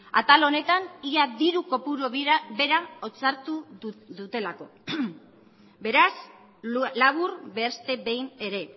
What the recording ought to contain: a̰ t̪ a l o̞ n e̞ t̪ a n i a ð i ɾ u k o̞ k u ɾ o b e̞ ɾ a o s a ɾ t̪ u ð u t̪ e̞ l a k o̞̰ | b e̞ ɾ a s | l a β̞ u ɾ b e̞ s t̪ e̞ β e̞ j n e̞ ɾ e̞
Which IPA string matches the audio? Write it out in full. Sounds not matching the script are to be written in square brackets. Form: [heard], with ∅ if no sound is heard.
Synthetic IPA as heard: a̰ t̪ a l o̞ n e̞ t̪ a n i a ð i ɾ u k o̞ [p] u ɾ o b e̞ ɾ a o [t͡s] a ɾ t̪ u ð u t̪ e̞ l a k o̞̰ | b e̞ ɾ a s | l a β̞ u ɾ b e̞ s t̪ e̞ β e̞ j n e̞ ɾ e̞